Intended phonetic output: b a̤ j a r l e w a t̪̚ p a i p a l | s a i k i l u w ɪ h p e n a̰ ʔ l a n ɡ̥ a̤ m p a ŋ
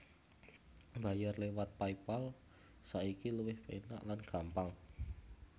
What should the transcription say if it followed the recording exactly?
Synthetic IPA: b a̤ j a r l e w a t̪̚ p a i p a l | s a i k i l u w ɪ h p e n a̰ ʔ l a n ɡ̥ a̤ m p a ŋ